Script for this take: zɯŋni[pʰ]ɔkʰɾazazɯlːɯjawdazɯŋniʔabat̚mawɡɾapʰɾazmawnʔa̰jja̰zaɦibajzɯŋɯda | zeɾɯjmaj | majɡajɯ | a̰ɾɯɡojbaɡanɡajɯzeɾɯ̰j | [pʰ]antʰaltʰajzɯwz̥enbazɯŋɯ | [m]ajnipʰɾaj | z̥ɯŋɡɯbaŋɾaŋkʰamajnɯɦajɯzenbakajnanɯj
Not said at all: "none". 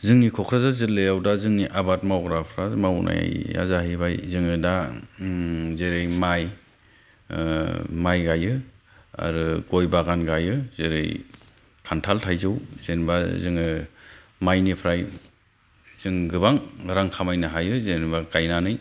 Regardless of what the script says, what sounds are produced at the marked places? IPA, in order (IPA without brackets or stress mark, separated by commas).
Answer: kʰ, kʰ, m